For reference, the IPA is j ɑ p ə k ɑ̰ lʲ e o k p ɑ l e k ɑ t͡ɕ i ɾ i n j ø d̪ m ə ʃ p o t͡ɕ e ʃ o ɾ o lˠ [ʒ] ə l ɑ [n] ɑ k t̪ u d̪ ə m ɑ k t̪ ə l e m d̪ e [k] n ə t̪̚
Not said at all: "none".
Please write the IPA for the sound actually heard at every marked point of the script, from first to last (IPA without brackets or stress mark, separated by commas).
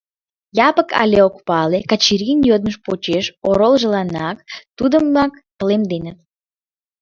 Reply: ʒ, n, none